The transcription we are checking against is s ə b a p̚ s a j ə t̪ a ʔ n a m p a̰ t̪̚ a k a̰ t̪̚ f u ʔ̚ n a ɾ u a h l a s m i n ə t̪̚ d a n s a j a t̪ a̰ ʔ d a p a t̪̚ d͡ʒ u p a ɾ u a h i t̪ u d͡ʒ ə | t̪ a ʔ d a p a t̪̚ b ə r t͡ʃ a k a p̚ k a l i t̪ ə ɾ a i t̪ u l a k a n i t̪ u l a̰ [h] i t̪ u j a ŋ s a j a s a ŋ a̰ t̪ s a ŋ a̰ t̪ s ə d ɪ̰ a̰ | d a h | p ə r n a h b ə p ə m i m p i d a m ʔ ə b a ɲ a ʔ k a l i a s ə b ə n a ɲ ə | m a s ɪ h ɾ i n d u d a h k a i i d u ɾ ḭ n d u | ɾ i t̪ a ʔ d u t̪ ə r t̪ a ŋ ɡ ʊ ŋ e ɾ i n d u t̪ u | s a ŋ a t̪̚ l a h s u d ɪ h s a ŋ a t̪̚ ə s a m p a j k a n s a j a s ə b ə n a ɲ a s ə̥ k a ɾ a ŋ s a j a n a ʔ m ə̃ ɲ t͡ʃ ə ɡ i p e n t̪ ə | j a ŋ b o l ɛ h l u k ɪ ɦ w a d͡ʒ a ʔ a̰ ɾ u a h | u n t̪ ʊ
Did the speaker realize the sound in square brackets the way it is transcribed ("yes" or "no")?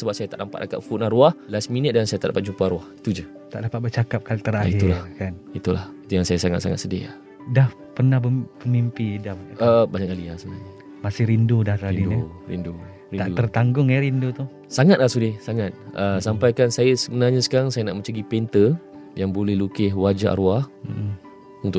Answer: yes